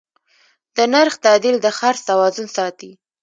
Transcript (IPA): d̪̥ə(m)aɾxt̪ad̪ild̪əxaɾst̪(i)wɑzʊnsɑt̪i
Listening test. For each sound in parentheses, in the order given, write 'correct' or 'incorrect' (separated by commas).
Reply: incorrect, incorrect